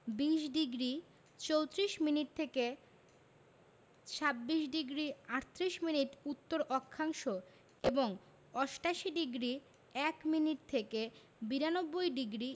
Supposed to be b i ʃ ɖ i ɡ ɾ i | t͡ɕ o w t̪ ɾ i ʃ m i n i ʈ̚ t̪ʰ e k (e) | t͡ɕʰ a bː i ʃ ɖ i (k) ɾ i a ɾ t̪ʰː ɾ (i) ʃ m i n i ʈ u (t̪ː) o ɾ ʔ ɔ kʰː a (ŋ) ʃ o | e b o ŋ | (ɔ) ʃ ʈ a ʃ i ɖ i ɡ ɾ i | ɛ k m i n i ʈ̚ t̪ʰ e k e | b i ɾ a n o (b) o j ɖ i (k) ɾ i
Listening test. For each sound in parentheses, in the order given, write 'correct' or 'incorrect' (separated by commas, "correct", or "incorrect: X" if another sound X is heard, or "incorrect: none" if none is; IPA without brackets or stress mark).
correct, incorrect: ɡ, correct, correct, correct, correct, incorrect: bː, incorrect: ɡ